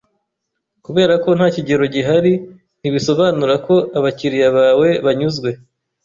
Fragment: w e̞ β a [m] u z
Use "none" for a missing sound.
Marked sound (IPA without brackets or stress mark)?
ɲ